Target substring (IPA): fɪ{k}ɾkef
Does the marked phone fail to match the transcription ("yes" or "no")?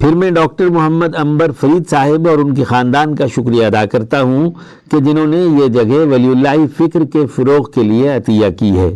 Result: no